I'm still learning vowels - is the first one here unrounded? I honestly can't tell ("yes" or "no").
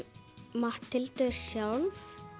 yes